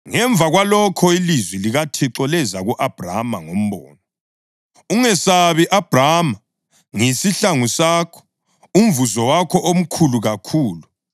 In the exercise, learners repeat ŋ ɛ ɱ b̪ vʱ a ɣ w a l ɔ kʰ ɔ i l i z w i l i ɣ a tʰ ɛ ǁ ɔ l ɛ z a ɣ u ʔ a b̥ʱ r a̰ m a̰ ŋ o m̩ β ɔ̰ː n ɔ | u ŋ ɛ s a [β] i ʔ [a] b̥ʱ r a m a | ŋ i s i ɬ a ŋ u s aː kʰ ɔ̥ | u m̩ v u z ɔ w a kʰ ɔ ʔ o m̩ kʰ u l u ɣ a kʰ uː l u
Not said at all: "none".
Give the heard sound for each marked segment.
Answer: β, a

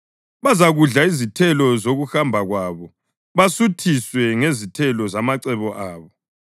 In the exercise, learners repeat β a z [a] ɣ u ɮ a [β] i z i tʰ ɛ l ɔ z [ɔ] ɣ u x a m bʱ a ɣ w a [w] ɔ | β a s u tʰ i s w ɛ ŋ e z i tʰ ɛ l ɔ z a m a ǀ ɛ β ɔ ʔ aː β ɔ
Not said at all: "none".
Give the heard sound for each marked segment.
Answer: a, none, o, β

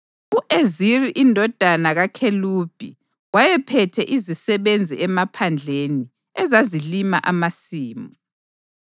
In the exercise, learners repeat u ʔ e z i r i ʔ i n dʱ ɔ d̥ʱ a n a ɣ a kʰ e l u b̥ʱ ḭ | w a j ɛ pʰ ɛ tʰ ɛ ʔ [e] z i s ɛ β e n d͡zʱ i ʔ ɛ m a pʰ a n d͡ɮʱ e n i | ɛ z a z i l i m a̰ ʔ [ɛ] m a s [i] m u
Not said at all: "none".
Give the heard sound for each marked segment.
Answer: i, a, iː

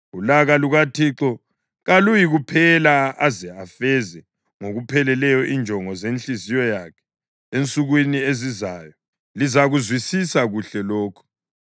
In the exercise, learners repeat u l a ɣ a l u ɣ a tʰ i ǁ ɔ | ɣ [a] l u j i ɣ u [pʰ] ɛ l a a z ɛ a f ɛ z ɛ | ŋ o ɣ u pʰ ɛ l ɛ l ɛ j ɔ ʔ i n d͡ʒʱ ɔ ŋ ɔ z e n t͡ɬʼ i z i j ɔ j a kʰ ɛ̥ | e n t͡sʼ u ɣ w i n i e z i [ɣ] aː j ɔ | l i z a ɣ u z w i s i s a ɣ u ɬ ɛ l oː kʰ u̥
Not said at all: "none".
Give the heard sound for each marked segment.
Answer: a, pʰ, z

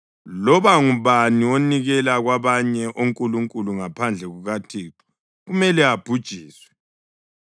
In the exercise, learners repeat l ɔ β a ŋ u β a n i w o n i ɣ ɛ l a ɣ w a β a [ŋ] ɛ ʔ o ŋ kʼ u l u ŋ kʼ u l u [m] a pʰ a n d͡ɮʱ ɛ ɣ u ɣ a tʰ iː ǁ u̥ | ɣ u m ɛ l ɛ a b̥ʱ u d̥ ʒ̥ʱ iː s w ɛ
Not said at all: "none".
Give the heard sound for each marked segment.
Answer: ɲ, ŋ

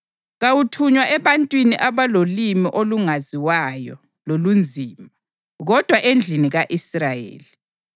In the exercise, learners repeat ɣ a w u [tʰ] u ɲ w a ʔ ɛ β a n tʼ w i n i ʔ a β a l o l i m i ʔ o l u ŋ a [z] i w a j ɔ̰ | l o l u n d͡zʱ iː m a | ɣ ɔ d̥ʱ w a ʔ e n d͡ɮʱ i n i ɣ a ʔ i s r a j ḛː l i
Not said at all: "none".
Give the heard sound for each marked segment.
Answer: tʰ, z

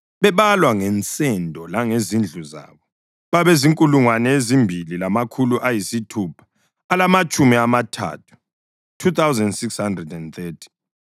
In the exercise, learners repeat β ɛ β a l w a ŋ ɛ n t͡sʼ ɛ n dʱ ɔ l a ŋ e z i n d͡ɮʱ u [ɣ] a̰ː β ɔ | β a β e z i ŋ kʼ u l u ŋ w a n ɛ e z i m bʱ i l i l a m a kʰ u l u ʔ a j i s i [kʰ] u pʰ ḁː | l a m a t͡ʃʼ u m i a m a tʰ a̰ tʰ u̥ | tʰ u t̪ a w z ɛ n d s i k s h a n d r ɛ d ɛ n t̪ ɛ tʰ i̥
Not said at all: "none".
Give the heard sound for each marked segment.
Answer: z, tʰ

